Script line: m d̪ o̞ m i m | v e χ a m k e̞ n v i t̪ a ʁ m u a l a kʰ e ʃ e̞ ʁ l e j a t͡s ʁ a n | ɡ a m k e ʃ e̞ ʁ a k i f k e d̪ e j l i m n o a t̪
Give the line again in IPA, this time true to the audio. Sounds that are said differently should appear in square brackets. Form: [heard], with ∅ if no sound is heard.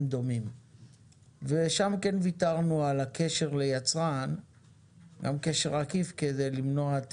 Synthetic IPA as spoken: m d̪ o̞ m i m | v e [ʃ] a m k e̞ n v i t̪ a ʁ [n] u a l a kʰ e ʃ e̞ ʁ l e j a t͡s ʁ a n | ɡ a m k e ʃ e̞ ʁ a k i f k e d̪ e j l i m n o a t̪